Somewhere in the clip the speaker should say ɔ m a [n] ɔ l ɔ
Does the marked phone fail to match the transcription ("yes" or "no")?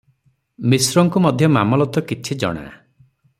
yes